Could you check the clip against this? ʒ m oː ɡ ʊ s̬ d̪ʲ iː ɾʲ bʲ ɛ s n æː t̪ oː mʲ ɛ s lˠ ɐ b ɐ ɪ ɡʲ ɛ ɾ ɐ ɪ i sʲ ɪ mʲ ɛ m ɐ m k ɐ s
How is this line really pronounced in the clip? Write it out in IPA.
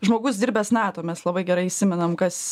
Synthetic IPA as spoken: ʒ m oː ɡ ʊ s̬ d̪ʲ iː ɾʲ bʲ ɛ s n æː t̪ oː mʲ ɛ s lˠ ɐ b ɐ ɪ ɡʲ ɛ ɾ ɐ ɪ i sʲ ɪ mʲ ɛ n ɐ m k ɐ s